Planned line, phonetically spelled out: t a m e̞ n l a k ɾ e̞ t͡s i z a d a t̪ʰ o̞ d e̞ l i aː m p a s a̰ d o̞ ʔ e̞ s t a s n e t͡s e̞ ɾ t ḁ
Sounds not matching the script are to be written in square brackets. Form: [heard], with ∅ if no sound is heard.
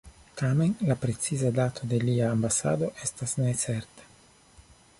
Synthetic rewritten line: t a m e̞ n l a [p] ɾ e̞ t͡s i z a d a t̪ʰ o̞ d e̞ l i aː m [b] a s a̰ d o̞ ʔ e̞ s t a s n e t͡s e̞ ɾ t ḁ